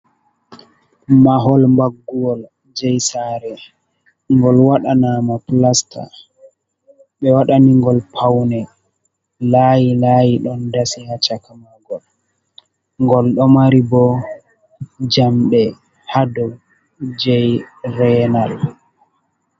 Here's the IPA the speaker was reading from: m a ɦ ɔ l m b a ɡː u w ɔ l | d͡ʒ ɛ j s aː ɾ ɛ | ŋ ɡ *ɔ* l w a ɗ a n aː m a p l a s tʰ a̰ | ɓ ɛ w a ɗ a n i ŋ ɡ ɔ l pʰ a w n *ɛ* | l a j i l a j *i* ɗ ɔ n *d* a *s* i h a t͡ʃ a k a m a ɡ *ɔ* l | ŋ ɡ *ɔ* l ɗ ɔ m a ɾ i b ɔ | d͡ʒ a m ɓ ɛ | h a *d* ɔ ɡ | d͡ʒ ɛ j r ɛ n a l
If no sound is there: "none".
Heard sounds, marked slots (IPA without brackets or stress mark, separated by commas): ɔ, ɛ, i, d, s, ɔ, ɔ, d